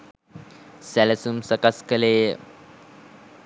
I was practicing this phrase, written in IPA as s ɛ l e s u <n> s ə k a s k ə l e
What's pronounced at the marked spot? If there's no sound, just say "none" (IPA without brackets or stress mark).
m